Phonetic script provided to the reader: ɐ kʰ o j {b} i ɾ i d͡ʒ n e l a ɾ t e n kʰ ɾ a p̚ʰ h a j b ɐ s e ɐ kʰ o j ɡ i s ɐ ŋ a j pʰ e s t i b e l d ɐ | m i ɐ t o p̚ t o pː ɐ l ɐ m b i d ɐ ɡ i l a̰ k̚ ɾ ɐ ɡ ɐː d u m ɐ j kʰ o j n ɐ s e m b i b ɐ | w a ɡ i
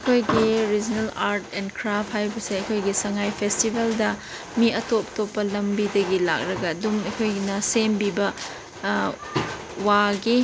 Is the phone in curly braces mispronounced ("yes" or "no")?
yes